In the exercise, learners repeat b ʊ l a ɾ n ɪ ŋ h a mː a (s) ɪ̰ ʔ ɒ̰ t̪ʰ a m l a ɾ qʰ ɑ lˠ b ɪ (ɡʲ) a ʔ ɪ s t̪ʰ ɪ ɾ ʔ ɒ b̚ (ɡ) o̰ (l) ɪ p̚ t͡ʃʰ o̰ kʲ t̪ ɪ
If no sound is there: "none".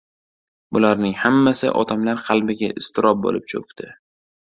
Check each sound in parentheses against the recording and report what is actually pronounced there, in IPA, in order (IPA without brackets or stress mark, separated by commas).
s, ɡʲ, b, l